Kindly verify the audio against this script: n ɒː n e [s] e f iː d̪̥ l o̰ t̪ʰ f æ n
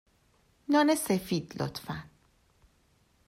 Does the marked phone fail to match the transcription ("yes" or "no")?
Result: no